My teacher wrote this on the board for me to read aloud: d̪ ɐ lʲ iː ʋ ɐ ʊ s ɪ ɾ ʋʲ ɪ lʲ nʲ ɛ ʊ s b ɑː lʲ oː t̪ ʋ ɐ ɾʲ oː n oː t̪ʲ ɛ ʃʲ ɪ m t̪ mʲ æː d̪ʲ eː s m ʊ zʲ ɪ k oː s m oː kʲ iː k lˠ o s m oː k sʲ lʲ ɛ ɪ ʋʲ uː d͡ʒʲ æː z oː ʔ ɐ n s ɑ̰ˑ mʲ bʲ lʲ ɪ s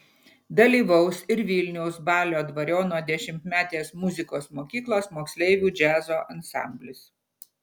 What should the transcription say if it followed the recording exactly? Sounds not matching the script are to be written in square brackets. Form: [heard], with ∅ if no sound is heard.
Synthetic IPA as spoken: d̪ ɐ lʲ iː ʋ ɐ ʊ s ɪ ɾ ʋʲ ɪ lʲ nʲ ɛ ʊ s b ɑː lʲ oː [d̪] ʋ ɐ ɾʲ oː n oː [d̪ʲ] ɛ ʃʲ ɪ m t̪ mʲ æː [t̪ʲ] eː s m ʊ zʲ ɪ k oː s m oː kʲ iː k lˠ o s m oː k sʲ lʲ ɛ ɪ ʋʲ uː d͡ʒʲ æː z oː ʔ ɐ n s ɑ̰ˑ mʲ bʲ lʲ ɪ s